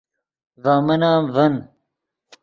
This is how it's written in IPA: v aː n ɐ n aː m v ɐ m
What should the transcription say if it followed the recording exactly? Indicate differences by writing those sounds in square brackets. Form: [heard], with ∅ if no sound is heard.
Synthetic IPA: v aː [m] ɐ n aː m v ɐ [n]